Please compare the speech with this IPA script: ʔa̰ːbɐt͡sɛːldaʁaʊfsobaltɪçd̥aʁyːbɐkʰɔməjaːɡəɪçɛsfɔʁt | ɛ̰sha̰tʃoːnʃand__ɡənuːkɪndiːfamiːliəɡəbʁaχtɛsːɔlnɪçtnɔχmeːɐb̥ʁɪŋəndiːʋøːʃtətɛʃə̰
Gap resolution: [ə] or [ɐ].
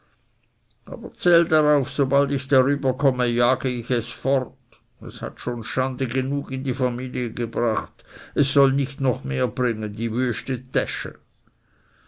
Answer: ə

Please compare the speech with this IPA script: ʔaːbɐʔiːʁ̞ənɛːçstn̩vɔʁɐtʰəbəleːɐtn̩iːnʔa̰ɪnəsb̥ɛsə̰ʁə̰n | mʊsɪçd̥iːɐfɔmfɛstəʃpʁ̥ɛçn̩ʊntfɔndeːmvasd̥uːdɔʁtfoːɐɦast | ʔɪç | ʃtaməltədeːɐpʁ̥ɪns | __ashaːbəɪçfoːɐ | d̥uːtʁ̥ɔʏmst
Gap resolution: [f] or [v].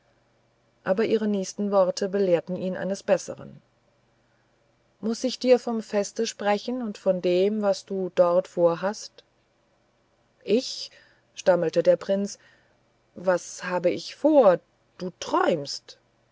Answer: v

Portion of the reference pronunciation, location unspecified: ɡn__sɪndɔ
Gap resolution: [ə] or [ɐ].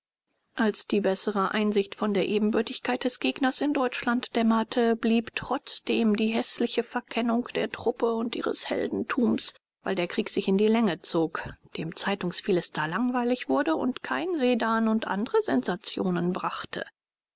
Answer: ɐ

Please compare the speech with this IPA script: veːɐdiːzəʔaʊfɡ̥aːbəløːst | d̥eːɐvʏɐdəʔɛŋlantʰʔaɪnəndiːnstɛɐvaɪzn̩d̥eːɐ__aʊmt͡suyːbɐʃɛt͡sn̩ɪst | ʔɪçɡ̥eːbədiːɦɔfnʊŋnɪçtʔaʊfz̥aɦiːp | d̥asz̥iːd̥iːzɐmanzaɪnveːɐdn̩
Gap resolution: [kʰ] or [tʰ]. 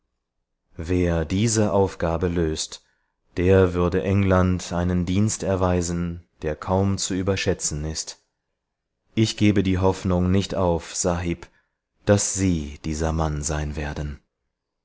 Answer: kʰ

